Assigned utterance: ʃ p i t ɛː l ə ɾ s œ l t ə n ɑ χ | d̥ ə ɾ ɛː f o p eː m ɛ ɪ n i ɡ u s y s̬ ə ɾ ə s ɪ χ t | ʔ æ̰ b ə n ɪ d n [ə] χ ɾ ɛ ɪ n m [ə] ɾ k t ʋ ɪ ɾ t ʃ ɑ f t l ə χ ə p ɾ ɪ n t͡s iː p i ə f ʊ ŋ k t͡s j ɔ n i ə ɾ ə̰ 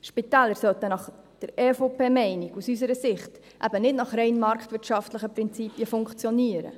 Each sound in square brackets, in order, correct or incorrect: incorrect, incorrect

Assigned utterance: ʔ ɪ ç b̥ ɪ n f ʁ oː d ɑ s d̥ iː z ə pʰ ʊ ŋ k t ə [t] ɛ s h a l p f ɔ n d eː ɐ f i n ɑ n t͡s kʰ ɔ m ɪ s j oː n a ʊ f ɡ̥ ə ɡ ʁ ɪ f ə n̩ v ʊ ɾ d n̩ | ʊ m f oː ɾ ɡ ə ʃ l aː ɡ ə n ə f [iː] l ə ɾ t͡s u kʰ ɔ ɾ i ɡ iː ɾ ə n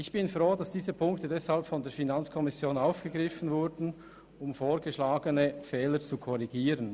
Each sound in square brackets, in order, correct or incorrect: incorrect, incorrect

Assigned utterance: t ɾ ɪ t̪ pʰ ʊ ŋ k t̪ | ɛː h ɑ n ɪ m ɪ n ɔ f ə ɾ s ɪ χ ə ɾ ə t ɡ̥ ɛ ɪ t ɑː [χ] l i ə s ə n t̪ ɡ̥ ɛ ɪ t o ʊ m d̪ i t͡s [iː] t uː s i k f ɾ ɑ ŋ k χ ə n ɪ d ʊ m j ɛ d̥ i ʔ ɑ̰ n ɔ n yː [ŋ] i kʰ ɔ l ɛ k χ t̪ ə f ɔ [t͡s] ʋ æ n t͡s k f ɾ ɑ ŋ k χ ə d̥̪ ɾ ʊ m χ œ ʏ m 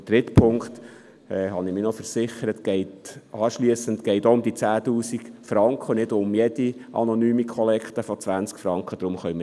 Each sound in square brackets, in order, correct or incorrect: incorrect, incorrect, incorrect, correct

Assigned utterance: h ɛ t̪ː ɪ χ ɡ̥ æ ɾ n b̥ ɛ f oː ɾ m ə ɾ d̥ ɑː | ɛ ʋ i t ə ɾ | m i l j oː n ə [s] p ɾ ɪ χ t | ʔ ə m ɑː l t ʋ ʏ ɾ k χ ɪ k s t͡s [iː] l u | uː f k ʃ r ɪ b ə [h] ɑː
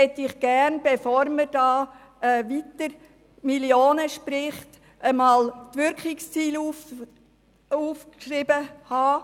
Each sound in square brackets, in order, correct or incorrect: incorrect, correct, correct

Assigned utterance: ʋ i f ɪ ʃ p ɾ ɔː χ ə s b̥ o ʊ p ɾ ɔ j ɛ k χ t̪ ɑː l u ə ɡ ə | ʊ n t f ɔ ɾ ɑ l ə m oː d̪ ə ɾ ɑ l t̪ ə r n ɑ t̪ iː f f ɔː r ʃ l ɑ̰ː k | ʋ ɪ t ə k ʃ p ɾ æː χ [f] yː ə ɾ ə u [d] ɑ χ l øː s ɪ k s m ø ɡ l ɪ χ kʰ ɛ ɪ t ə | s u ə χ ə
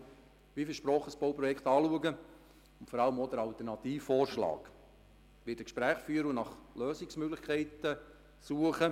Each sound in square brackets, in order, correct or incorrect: correct, incorrect

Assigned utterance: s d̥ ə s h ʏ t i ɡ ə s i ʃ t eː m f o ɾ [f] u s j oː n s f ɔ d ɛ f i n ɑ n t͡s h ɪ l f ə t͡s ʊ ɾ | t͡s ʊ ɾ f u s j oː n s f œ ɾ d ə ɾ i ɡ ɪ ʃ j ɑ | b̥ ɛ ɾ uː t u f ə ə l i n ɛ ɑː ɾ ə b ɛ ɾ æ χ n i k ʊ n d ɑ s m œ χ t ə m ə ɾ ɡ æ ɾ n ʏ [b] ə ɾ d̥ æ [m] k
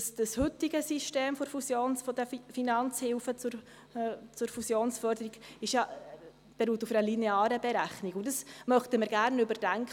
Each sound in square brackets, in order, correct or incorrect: correct, correct, incorrect

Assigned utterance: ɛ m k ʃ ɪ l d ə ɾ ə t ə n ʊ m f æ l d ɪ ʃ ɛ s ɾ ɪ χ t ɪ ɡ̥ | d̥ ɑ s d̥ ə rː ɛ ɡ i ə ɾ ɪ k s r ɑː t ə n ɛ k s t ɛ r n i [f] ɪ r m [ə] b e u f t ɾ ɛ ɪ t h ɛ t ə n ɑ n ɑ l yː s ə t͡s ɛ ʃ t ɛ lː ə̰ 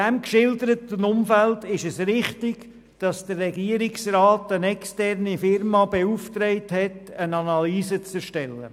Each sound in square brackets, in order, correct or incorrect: correct, incorrect

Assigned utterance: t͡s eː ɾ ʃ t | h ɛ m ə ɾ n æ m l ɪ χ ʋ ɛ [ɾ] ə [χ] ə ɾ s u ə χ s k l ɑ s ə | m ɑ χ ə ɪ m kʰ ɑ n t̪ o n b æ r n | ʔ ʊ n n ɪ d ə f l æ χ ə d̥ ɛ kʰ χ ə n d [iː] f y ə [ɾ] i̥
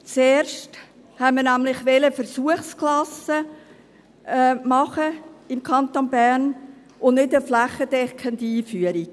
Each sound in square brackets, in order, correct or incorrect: incorrect, incorrect, correct, correct

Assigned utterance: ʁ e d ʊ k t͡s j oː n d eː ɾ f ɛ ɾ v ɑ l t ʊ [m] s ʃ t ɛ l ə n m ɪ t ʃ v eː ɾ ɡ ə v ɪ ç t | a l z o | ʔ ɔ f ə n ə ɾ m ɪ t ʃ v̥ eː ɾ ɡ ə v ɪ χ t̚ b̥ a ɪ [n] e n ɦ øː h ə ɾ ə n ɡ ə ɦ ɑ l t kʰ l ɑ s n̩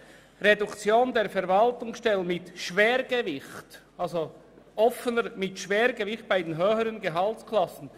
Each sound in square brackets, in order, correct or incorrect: incorrect, incorrect

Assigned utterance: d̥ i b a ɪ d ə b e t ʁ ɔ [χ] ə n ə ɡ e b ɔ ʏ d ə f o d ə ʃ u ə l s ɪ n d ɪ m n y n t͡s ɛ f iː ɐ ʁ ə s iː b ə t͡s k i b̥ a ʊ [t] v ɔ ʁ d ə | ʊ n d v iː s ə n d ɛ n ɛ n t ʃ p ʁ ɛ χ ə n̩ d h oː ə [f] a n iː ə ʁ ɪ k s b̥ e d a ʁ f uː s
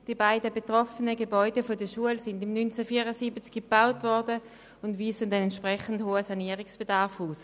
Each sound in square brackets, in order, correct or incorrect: incorrect, correct, incorrect

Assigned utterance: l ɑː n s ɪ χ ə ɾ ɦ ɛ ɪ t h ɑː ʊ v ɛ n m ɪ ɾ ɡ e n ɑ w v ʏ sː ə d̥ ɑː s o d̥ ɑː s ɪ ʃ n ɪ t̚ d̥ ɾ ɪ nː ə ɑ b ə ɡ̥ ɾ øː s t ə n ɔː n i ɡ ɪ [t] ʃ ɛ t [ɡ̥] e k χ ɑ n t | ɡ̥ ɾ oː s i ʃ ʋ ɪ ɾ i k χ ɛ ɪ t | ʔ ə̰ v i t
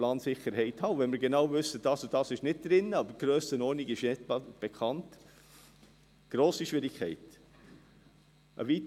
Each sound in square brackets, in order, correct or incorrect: incorrect, incorrect

